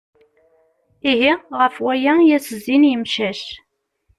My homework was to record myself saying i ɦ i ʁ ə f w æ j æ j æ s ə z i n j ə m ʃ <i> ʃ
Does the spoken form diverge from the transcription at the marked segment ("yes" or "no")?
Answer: yes